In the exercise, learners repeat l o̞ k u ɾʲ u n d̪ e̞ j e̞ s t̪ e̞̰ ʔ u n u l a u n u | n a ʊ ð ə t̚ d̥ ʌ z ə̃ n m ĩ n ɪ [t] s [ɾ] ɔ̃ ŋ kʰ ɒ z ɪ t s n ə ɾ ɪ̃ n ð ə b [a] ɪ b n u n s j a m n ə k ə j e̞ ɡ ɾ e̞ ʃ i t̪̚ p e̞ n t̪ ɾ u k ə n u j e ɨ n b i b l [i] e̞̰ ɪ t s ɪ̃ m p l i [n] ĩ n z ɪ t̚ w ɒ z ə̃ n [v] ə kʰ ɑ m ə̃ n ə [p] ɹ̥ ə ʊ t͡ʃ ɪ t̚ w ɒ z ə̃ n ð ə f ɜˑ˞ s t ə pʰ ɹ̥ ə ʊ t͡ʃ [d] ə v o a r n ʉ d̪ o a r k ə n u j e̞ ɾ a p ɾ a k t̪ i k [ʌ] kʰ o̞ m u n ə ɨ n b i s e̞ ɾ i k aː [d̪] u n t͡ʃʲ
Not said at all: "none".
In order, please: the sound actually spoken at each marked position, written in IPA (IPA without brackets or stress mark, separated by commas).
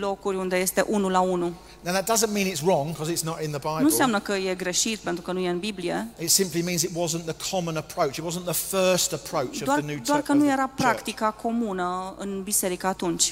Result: t, ɹ, a, i, m, ð, pʰ, d, a, t̪